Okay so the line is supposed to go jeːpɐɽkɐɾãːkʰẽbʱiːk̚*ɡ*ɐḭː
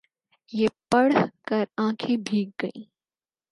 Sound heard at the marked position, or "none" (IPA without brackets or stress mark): ɡ